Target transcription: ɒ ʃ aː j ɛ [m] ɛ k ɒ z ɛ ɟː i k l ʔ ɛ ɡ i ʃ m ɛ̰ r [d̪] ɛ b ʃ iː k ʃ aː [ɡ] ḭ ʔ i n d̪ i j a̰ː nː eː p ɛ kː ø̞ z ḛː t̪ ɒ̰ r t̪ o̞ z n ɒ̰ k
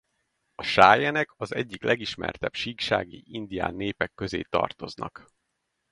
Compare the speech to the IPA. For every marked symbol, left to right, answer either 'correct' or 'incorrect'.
incorrect, incorrect, correct

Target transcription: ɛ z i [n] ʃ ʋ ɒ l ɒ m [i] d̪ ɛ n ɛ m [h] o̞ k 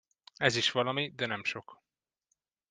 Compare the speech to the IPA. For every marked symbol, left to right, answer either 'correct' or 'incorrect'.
incorrect, correct, incorrect

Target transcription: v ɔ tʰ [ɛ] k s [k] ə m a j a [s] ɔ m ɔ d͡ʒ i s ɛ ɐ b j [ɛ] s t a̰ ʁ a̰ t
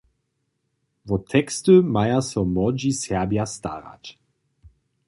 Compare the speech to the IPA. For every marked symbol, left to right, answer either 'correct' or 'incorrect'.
correct, incorrect, correct, incorrect

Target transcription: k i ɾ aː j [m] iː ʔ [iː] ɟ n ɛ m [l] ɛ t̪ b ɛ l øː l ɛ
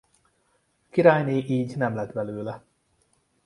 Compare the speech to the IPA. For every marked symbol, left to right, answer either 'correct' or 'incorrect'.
incorrect, correct, correct

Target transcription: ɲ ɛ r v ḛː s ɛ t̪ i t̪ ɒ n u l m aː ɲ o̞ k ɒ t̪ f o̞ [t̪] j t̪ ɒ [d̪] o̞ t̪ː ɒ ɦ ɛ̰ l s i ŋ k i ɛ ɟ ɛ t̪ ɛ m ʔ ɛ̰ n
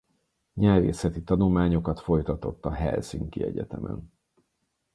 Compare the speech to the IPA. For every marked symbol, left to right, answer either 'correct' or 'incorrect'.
incorrect, incorrect

